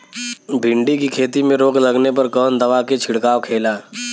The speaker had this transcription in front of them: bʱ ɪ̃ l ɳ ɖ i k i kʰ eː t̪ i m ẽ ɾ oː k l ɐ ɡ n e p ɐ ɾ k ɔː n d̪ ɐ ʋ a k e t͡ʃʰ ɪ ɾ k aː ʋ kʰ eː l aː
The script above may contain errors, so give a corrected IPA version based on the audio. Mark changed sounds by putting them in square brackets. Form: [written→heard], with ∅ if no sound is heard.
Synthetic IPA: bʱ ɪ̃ [l→∅] ɳ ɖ i k i kʰ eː t̪ i m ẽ ɾ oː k l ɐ ɡ n e p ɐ ɾ k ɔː n d̪ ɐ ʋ a k e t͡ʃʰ ɪ [ɾ→ɽ] k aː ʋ kʰ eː l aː